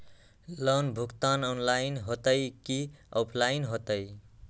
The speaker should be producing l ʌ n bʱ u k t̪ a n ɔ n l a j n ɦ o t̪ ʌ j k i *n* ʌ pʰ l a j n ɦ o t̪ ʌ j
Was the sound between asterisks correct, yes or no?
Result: no